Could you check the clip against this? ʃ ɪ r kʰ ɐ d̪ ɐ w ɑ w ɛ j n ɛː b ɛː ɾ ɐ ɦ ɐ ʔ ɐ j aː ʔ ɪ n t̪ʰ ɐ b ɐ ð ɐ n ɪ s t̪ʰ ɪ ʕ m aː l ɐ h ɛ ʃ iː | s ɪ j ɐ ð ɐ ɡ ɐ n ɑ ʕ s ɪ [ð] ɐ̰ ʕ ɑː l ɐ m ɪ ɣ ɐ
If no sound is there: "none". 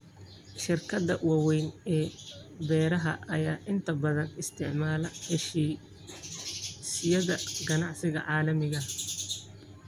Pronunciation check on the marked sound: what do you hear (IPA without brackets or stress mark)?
ɣ